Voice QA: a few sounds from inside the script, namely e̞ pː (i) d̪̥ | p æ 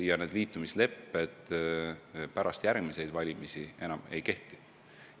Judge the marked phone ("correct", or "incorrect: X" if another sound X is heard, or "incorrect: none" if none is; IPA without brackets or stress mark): incorrect: e